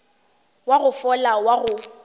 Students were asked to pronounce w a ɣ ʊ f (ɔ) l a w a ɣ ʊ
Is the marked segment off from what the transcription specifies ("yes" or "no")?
no